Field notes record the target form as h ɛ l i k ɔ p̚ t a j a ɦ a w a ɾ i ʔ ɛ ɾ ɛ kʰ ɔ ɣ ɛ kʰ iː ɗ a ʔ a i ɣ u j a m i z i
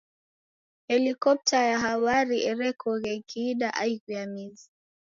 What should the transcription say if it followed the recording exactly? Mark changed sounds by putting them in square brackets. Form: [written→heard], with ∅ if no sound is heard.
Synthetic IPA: h ɛ l i k ɔ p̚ t a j a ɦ a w a ɾ i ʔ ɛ ɾ ɛ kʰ ɔ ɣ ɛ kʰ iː ɗ a ʔ a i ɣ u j a m i z i